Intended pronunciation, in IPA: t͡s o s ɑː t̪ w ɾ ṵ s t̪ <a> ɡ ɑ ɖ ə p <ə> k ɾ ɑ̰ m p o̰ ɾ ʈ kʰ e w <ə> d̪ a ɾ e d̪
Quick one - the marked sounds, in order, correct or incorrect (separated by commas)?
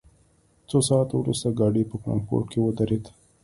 correct, correct, correct